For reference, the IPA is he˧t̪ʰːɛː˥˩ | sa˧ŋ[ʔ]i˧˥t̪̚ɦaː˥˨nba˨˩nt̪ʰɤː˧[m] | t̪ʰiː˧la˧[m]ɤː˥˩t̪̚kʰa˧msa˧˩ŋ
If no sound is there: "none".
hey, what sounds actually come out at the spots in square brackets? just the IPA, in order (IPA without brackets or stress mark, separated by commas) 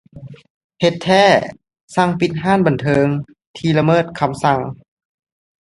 p, ŋ, m